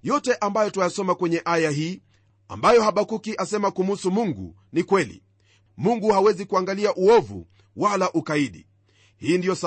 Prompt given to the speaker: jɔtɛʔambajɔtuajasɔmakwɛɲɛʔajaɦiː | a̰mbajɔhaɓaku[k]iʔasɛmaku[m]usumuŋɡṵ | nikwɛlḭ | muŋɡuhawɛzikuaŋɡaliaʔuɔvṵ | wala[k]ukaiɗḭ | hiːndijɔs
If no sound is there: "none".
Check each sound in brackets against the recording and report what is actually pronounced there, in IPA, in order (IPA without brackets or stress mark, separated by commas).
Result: k, m, ʔ